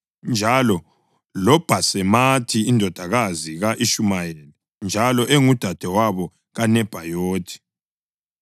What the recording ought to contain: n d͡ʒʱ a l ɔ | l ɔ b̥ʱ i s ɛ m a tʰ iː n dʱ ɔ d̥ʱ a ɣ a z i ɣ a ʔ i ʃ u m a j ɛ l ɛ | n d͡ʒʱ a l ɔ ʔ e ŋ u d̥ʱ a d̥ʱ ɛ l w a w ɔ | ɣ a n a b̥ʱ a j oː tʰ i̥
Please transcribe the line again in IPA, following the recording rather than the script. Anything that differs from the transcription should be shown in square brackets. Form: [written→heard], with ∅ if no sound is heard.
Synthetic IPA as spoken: n d͡ʒʱ a l ɔ | l ɔ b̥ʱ [i→a] s ɛ m a tʰ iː n dʱ ɔ d̥ʱ a ɣ a z i ɣ a ʔ i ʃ u m a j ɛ l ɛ | n d͡ʒʱ a l ɔ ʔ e ŋ u d̥ʱ a d̥ʱ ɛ [l→∅] w a [w→β] ɔ | ɣ a n [a→ɛ] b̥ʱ a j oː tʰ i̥

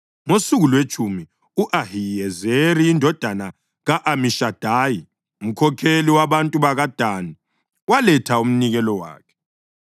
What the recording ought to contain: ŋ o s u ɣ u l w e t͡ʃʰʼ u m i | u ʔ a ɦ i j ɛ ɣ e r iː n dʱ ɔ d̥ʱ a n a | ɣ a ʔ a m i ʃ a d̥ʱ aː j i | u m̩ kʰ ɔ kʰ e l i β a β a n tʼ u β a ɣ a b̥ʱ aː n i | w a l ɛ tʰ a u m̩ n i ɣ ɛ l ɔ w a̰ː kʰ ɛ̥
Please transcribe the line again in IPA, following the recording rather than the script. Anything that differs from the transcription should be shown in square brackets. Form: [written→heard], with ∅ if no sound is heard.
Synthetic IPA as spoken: ŋ o s u ɣ u l w e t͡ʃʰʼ u m i | u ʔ a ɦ i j ɛ [ɣ→z] e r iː n dʱ ɔ d̥ʱ a n a | ɣ a ʔ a m i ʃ a d̥ʱ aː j i | u m̩ kʰ ɔ kʰ e l i [β→w] a β a n tʼ u β a ɣ a [b̥ʱ→d̥ʱ] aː n i | w a l ɛ tʰ a u m̩ n i ɣ ɛ l ɔ w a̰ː kʰ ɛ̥

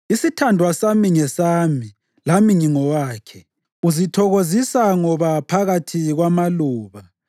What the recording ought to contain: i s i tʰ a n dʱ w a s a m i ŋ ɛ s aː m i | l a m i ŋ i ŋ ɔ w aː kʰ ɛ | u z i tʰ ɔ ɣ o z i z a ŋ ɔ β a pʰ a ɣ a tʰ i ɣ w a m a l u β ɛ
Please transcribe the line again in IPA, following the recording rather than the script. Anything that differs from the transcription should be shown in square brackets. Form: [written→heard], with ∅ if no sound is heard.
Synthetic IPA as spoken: i s i tʰ a n dʱ w a s a m i ŋ ɛ s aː m i | l a m i ŋ i ŋ ɔ w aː kʰ ɛ | u z i tʰ ɔ ɣ o z i [z→s] a ŋ ɔ β a pʰ a ɣ a tʰ i ɣ w a m a l [u→uː] β [ɛ→a]

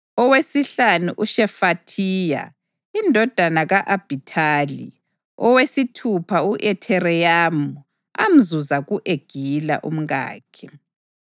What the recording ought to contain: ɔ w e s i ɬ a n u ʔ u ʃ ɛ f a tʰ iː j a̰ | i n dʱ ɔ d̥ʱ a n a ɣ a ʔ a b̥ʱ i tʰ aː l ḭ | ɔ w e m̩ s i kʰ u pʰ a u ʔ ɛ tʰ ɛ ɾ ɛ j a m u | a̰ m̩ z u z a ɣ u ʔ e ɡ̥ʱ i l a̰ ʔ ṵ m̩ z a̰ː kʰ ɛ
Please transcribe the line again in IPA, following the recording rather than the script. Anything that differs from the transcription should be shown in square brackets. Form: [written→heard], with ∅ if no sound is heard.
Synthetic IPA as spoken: ɔ w e s i ɬ a n u ʔ u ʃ ɛ f a tʰ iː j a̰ | i n dʱ ɔ d̥ʱ a n a ɣ a ʔ a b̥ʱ i tʰ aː l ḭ | ɔ w e [m̩→∅] s i [kʰ→tʰ] u pʰ a u ʔ ɛ tʰ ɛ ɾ ɛ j a m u | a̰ m̩ z u z a ɣ u ʔ e ɡ̥ʱ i l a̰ ʔ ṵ m̩ [z→ɣ] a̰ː kʰ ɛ

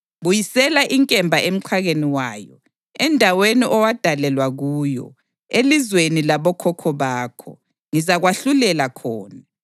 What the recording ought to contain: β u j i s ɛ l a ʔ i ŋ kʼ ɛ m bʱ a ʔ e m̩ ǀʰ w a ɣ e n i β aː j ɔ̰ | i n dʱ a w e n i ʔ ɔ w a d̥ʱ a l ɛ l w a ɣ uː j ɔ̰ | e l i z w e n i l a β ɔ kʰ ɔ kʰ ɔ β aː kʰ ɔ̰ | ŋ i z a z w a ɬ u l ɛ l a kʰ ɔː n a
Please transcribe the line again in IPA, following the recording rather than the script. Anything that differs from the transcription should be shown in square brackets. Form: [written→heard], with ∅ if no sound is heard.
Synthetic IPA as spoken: β u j i s ɛ l a ʔ i ŋ kʼ ɛ m bʱ a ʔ e m̩ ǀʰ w a ɣ e n i [β→w] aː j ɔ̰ | [i→ɛ] n dʱ a w e n i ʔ ɔ w a d̥ʱ a l ɛ l w a ɣ uː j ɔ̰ | e l i z w e n i l a β ɔ kʰ ɔ kʰ ɔ β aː kʰ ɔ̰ | ŋ i z a [z→ɣ] w a ɬ u l ɛ l a kʰ ɔː n a

